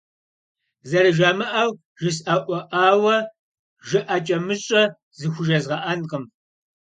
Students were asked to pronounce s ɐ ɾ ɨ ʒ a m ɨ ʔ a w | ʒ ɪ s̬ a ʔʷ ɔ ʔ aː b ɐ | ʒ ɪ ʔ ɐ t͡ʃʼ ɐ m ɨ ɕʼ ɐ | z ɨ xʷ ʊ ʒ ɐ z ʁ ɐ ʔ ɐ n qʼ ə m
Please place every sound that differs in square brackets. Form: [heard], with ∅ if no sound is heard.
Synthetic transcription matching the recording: [z] ɐ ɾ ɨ ʒ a m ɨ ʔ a w | ʒ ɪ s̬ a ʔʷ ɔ ʔ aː [w] ɐ | ʒ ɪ ʔ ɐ t͡ʃʼ ɐ m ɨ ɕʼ ɐ | z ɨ xʷ ʊ ʒ ɐ z ʁ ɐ ʔ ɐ n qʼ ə m